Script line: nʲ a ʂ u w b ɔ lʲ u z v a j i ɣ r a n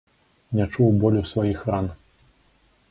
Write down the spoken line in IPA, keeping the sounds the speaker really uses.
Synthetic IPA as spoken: nʲ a t͡ʂ u w b ɔ lʲ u s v a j i x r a n